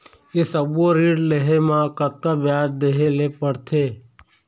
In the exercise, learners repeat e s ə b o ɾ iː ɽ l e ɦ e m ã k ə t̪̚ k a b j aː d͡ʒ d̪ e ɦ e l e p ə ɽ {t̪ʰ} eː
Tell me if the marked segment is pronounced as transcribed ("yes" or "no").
yes